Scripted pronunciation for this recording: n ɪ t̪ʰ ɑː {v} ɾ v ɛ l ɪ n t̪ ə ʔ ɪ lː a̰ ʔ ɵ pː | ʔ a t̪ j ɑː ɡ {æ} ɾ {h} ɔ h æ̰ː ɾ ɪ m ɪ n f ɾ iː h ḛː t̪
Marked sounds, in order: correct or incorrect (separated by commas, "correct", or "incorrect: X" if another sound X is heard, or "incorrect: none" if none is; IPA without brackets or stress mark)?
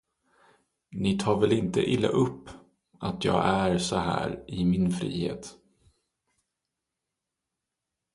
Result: incorrect: none, correct, incorrect: s